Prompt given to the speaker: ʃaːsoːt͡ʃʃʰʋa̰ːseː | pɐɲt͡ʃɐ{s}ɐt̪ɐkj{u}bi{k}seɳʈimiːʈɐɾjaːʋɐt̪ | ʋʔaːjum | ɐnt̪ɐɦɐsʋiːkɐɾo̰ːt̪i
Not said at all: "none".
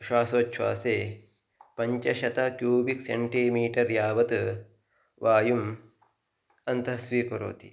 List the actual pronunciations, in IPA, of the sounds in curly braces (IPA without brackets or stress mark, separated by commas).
ʃ, uː, k